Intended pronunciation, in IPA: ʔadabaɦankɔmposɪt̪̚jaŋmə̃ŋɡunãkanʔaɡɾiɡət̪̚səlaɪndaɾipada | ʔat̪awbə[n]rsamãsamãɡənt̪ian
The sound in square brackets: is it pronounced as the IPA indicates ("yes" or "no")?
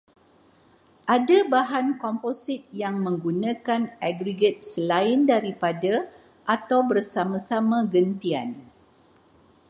no